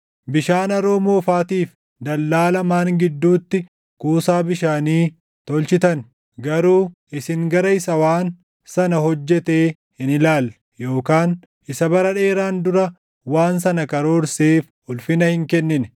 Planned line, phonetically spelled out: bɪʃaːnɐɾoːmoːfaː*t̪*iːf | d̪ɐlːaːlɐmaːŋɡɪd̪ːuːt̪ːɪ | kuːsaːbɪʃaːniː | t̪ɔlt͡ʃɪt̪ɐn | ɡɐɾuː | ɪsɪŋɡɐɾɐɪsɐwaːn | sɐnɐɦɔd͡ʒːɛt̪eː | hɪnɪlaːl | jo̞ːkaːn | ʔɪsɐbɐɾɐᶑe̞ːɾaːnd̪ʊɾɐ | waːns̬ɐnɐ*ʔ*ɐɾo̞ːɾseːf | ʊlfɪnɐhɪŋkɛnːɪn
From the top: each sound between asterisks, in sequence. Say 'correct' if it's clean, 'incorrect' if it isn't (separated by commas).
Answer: correct, incorrect